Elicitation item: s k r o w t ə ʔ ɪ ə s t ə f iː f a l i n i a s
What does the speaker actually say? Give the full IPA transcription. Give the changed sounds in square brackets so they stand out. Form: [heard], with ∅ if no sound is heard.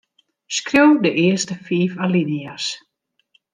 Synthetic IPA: s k r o w [d] ə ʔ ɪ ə s t ə f iː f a l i n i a s